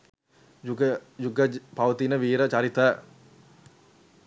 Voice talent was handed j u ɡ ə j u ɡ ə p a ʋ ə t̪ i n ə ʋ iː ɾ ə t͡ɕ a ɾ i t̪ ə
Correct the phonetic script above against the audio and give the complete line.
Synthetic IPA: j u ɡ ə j u ɡ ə p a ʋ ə t̪ i n ə ʋ iː ɾ ə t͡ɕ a ɾ i t̪ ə